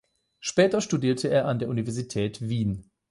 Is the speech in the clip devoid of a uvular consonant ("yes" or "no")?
yes